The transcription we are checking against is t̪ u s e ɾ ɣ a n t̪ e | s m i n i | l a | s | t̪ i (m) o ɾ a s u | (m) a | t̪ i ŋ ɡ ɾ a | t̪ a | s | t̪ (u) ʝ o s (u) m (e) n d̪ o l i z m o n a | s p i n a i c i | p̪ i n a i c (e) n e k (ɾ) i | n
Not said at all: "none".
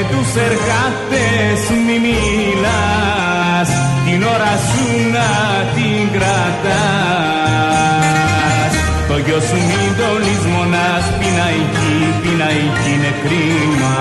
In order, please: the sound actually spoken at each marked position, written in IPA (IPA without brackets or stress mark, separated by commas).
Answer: n, n, o, u, i, i, ɾ